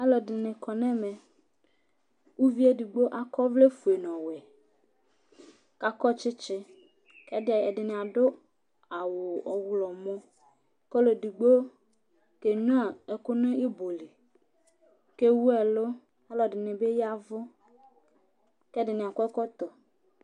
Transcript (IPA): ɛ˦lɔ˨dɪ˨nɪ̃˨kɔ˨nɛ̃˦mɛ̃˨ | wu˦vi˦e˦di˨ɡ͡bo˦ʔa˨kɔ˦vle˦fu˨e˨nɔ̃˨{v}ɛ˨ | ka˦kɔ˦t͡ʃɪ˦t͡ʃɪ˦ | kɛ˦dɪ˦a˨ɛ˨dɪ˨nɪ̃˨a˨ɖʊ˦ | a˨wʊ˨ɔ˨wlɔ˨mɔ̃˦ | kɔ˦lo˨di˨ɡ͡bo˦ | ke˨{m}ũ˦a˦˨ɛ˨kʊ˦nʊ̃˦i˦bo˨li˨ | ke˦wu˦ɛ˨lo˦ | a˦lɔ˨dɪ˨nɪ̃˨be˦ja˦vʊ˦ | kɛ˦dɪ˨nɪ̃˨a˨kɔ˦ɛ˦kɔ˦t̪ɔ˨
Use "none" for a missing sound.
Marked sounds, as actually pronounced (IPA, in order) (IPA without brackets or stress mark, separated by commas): w, ɲ